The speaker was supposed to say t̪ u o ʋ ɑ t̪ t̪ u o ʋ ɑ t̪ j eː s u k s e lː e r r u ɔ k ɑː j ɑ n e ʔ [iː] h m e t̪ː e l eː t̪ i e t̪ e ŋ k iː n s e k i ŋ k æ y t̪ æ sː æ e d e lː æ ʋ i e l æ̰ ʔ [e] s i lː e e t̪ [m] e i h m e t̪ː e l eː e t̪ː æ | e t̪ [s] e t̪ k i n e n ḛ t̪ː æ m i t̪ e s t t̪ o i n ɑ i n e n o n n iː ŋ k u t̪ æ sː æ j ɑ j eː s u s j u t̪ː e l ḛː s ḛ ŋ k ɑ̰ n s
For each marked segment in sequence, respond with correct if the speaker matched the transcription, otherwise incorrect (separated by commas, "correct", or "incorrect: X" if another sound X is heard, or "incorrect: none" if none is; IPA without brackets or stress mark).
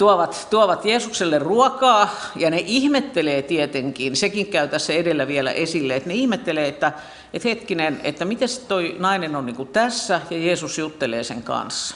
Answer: incorrect: i, correct, incorrect: n, incorrect: h